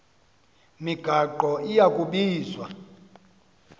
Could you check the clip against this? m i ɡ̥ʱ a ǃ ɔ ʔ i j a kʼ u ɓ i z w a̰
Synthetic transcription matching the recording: m i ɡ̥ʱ a ǃ ɔ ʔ i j a kʼ u ɓ iː z w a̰